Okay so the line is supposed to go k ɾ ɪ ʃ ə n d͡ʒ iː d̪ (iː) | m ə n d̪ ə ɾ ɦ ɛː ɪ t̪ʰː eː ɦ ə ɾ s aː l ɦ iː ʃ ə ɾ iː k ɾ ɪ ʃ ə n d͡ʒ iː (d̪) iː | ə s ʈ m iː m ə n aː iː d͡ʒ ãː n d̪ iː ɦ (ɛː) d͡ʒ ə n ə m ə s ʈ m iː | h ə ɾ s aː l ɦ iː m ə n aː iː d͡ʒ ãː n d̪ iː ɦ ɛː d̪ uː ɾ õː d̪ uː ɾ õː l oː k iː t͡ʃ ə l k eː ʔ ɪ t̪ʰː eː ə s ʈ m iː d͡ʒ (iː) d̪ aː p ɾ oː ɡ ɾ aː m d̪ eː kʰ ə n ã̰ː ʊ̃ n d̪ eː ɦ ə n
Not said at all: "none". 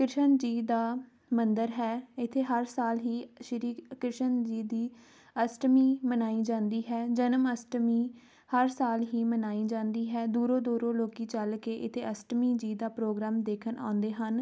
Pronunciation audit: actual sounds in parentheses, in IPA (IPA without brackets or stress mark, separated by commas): aː, d̪, ɛː, iː